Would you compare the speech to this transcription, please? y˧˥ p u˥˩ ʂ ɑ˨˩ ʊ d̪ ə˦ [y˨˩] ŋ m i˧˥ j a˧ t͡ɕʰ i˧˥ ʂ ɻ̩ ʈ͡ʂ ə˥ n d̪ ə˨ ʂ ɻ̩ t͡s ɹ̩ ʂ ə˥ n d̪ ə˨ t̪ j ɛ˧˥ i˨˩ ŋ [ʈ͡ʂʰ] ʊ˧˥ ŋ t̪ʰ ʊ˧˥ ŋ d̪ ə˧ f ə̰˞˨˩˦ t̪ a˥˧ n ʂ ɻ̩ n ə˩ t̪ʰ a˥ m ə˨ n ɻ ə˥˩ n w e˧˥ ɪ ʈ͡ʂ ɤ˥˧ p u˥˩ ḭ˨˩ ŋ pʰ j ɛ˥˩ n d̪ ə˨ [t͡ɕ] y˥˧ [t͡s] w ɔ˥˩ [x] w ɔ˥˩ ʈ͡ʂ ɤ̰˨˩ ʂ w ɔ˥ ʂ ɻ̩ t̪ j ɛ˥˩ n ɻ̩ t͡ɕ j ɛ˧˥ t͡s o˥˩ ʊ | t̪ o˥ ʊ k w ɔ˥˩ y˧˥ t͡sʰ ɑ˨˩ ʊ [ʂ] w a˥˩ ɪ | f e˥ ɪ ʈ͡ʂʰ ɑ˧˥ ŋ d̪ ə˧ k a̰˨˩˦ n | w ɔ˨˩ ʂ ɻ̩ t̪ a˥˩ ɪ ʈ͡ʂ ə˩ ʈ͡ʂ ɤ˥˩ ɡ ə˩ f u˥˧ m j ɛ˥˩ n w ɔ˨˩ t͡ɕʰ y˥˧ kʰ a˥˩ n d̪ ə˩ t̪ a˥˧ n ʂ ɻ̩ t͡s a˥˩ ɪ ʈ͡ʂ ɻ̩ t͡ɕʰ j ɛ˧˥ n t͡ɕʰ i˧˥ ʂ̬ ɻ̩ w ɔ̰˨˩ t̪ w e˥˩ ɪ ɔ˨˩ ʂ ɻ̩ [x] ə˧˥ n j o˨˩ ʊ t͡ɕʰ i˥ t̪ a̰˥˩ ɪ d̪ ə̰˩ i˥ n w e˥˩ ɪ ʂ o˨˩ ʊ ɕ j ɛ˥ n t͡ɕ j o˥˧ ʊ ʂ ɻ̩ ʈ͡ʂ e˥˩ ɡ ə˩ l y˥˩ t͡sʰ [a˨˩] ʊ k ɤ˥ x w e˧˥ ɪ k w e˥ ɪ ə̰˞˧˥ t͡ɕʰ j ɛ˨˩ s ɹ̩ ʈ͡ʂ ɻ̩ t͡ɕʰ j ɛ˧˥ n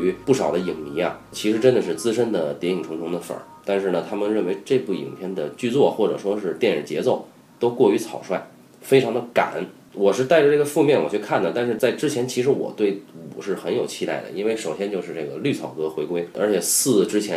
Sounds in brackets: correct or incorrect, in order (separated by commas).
incorrect, correct, correct, correct, correct, correct, correct, incorrect